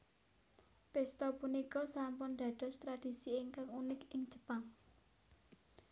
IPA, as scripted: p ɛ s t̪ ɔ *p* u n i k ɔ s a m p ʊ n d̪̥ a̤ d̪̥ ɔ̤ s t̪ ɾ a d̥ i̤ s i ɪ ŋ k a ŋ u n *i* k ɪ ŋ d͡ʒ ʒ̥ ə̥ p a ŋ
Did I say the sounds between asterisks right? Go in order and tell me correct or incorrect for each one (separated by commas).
correct, incorrect